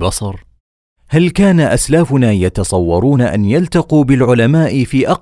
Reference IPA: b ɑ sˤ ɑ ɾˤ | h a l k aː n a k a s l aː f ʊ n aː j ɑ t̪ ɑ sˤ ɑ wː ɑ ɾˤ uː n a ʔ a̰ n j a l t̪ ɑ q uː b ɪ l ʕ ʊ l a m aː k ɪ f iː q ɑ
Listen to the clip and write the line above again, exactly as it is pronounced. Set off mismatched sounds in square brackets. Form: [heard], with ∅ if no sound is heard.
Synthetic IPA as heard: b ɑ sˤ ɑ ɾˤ | h a l k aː n a [ʔ] a s l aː f ʊ n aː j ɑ t̪ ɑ sˤ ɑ wː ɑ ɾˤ uː n a ʔ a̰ n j a l t̪ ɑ q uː b ɪ l ʕ ʊ l a m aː [ʔ] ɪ f iː [ʔ] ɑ